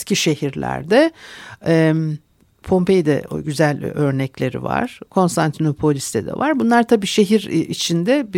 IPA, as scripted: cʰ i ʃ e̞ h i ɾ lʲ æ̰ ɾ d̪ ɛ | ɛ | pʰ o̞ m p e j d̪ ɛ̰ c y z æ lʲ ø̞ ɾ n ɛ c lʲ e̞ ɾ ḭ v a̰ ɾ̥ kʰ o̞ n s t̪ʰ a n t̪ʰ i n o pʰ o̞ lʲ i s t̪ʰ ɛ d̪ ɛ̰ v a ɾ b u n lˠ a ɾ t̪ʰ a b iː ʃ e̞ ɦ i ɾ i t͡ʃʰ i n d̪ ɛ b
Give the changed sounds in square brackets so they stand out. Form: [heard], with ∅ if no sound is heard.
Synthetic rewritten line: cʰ i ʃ e̞ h i ɾ lʲ æ̰ ɾ d̪ ɛ | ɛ | pʰ o̞ m p e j d̪ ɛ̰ [ɟ] y z æ lʲ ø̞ ɾ n ɛ c lʲ e̞ ɾ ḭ v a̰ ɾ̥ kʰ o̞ n s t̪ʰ a n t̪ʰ i n o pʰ o̞ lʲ i s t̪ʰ ɛ d̪ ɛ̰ v a ɾ b u n lˠ a ɾ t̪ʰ a b iː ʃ e̞ ɦ i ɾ i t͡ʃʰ i n d̪ ɛ b